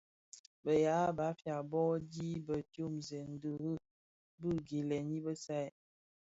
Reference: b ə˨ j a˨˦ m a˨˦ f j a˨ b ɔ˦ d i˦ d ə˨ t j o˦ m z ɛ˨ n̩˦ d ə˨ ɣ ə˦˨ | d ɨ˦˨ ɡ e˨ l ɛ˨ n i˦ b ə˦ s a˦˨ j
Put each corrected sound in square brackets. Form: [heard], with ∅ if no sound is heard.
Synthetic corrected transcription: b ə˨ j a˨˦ [b] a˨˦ f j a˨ b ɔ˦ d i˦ [b] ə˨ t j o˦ m z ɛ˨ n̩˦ d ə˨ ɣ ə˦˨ | [b] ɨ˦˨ ɡ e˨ l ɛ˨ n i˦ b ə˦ s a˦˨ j